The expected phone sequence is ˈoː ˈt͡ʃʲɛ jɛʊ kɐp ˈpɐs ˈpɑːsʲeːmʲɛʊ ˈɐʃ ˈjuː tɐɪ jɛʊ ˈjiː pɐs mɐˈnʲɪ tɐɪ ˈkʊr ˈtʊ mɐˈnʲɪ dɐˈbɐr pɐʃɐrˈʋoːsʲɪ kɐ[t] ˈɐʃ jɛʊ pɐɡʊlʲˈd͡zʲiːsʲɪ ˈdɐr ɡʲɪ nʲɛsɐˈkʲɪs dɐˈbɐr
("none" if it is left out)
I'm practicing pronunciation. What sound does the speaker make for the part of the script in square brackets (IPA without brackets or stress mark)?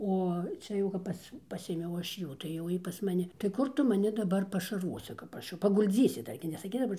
p